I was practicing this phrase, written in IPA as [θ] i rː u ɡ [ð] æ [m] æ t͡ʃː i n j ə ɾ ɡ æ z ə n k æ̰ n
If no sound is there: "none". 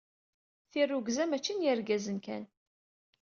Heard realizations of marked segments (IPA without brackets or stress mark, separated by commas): θ, z, m